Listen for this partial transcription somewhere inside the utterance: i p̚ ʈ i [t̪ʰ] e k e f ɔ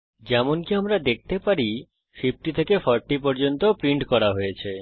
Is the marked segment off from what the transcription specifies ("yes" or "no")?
no